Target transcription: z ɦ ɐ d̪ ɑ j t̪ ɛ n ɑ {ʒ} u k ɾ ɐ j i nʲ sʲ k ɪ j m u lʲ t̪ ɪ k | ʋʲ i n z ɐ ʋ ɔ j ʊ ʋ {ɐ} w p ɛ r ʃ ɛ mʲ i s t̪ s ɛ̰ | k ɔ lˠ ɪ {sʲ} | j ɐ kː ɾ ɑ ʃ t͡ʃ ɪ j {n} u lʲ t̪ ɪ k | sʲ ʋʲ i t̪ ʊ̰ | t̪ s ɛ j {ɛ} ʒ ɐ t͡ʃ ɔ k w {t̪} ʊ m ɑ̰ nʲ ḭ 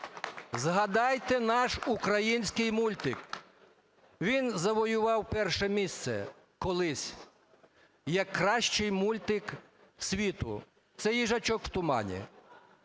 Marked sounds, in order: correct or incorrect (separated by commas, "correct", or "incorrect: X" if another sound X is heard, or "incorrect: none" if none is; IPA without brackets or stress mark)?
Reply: incorrect: ʃ, incorrect: ɑ, correct, incorrect: m, incorrect: i, correct